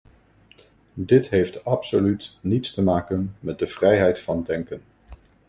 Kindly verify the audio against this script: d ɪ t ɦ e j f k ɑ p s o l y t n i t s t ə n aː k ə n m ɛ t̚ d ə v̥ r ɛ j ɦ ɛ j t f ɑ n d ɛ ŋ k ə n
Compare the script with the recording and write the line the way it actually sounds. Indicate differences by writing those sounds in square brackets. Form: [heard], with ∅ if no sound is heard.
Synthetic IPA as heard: d ɪ t ɦ e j f [t] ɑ p s o l y t n i t s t ə [m] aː k ə n m ɛ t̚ d ə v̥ r ɛ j ɦ ɛ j t f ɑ n d ɛ ŋ k ə n

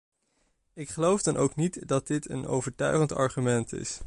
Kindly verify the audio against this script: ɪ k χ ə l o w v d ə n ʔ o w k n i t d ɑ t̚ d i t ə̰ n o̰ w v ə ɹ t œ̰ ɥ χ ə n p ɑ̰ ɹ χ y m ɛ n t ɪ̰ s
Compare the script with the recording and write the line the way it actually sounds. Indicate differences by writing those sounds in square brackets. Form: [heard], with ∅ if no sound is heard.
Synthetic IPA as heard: ɪ k χ ə l o w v d [ɑ] n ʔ o w k n i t d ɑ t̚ d [ɪ] t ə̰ n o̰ w v ə ɹ t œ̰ ɥ χ ə n [t] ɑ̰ ɹ χ y m ɛ n t ɪ̰ s

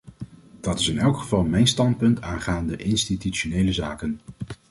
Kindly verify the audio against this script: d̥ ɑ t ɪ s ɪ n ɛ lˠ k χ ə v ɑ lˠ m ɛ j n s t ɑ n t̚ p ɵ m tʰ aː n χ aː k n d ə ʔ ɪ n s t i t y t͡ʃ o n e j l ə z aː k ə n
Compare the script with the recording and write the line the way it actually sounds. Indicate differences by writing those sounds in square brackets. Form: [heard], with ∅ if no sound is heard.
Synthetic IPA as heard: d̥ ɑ t ɪ s ɪ n ɛ lˠ k χ ə v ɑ lˠ m ɛ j n s t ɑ n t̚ p ɵ [n] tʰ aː n χ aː [∅] n d ə ʔ ɪ n s t i t y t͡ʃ o n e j l ə z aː k ə n

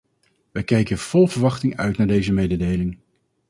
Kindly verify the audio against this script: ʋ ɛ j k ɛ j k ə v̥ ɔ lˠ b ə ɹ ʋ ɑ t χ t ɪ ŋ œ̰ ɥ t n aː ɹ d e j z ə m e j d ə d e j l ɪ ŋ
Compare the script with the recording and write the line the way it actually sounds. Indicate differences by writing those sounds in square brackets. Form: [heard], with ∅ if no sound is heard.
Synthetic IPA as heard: ʋ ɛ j k ɛ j k ə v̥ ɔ lˠ [v] ə ɹ ʋ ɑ [∅] χ t ɪ ŋ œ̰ ɥ t n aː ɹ d e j z ə m e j d ə d e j l ɪ ŋ

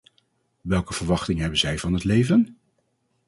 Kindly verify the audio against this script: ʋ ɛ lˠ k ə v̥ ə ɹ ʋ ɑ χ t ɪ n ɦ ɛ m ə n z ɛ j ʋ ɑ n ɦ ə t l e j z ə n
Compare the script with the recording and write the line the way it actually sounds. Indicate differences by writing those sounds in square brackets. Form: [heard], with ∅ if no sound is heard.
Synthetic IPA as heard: ʋ ɛ lˠ k ə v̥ ə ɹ ʋ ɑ χ t ɪ [ŋ] ɦ ɛ [b] ə n z ɛ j [v] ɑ n ɦ ə t l e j [v] ə n

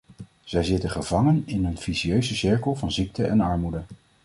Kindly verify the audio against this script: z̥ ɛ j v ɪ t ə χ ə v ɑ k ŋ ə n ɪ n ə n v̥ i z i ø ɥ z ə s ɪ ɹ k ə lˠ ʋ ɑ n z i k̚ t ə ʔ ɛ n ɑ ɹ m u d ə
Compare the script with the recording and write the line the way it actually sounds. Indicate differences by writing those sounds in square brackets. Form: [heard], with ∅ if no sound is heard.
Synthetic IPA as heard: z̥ ɛ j [z] ɪ t ə χ ə v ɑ [∅] ŋ ə n ɪ n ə n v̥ i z i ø ɥ z ə s ɪ ɹ k ə lˠ [v] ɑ n z i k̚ t ə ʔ ɛ n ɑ ɹ m u d ə

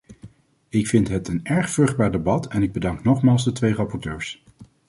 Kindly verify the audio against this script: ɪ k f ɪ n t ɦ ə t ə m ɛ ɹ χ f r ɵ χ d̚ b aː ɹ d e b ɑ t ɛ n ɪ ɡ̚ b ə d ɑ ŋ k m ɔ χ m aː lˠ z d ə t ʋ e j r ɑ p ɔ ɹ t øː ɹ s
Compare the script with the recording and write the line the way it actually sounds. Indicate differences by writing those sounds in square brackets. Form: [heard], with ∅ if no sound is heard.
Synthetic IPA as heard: ɪ k f ɪ n t ɦ ə t ə [n] ɛ ɹ χ f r ɵ χ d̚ b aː ɹ d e b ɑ t ɛ n ɪ ɡ̚ b ə d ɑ ŋ k [n] ɔ χ m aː lˠ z d ə t ʋ e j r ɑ p ɔ ɹ t øː ɹ s

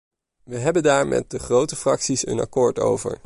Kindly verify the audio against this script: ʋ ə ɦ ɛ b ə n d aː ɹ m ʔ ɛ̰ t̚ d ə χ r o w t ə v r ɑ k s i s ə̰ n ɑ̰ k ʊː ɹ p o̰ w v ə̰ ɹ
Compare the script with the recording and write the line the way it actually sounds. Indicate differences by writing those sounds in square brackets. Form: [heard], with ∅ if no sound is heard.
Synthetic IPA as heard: ʋ ə ɦ ɛ b ə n d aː ɹ m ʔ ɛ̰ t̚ d ə χ r o w t ə [f] r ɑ k s i s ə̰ n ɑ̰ k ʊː ɹ [t] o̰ w v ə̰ ɹ

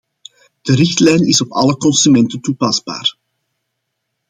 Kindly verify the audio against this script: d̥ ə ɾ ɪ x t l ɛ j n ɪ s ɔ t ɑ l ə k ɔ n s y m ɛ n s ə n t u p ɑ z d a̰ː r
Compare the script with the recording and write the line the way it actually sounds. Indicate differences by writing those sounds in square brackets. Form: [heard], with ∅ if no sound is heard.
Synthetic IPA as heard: d̥ ə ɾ ɪ x t l ɛ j n ɪ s ɔ [p] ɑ l ə k ɔ n s y m ɛ n [t] ə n t u p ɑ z [b] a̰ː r

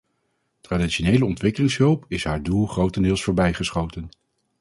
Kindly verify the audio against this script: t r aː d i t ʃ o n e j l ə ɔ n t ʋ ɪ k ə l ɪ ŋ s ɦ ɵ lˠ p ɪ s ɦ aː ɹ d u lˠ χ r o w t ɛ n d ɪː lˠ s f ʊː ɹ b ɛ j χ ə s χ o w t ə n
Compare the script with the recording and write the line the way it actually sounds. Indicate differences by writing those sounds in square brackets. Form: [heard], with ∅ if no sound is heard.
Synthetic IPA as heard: t r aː d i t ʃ o n e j l ə ɔ n t ʋ ɪ k ə l ɪ ŋ s ɦ ɵ lˠ p ɪ s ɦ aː ɹ d u lˠ χ r o w t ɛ n d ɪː lˠ s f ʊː ɹ b ɛ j χ ə s χ o w t ə n

